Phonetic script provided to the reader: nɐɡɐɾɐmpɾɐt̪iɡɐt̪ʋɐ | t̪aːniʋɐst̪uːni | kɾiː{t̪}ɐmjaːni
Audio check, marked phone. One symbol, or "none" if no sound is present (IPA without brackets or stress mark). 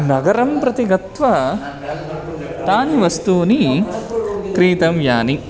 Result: t̪